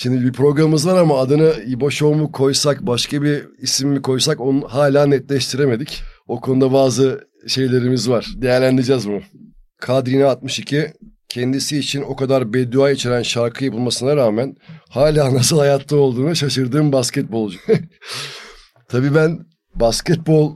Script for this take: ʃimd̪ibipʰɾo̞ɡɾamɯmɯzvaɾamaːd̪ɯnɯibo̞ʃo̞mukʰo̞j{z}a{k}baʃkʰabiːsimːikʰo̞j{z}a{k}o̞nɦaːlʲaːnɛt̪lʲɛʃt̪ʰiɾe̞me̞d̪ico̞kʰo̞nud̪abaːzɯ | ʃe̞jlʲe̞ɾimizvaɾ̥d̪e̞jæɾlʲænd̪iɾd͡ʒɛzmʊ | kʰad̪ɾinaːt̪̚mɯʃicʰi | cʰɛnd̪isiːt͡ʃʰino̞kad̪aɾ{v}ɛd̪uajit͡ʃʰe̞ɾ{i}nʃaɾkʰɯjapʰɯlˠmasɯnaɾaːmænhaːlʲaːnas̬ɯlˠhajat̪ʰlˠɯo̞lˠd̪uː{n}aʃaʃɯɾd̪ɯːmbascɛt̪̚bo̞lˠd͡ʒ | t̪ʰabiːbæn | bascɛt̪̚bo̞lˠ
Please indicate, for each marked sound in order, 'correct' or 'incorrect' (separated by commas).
incorrect, correct, incorrect, correct, incorrect, incorrect, correct